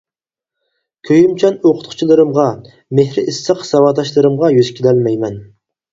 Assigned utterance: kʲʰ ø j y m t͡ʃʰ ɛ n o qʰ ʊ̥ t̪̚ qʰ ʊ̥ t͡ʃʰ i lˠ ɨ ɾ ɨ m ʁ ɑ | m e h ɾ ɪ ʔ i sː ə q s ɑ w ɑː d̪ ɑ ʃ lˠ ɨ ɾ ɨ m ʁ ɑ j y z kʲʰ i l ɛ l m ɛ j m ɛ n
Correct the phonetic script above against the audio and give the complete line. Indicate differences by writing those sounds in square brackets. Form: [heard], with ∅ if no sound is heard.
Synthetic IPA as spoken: kʲʰ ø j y m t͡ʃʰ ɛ n o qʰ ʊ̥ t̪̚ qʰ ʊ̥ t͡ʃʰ i lˠ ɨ ɾ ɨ m ʁ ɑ | m e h ɾ ɪ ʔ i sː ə q s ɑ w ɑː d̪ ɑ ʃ lˠ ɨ ɾ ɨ m ʁ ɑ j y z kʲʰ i l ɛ l m ɛ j m ɛ n